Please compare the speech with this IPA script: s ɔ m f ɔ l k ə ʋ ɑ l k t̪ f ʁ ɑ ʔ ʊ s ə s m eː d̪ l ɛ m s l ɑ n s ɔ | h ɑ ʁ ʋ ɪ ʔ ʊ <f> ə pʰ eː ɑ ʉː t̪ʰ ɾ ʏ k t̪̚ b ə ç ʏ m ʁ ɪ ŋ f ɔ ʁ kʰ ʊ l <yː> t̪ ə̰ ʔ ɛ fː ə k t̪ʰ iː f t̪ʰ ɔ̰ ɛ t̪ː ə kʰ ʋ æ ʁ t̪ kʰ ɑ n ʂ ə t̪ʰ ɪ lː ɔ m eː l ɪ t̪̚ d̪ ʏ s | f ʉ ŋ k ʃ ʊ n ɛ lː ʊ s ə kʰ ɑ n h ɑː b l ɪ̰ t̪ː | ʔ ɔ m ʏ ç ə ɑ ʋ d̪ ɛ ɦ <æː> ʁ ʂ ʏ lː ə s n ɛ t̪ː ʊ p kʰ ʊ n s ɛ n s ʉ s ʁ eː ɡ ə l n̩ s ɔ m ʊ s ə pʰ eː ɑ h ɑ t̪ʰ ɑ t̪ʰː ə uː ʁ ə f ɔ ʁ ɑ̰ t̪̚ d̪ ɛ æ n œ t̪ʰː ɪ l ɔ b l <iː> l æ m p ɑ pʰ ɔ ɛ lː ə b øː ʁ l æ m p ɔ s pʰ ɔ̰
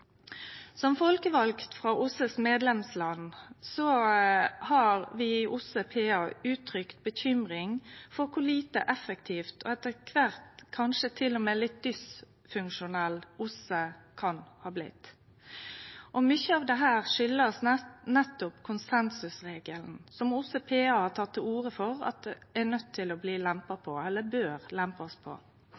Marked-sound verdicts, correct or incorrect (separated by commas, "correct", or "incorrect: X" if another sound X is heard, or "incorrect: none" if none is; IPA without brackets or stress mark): incorrect: s, incorrect: iː, correct, correct